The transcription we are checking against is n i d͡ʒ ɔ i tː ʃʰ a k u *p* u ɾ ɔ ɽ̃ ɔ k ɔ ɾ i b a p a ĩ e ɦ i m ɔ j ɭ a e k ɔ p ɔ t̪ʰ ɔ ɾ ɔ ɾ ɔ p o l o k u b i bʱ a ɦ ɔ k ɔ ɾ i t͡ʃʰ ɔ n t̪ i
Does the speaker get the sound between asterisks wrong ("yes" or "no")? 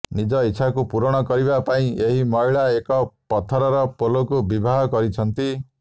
no